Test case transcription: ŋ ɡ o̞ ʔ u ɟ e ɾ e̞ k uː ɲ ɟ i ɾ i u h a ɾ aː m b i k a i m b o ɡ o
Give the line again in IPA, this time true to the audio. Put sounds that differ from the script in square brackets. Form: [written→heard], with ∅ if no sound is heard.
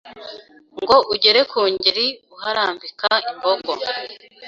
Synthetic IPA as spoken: ŋ ɡ o̞ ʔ u ɟ e ɾ e̞ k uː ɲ ɟ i ɾ i u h a ɾ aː m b i k a i m b o ɡ o